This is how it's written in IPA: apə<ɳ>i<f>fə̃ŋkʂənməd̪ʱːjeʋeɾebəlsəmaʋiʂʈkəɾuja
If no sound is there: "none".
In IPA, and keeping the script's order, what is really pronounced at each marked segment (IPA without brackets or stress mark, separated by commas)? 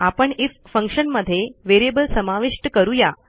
ɳ, f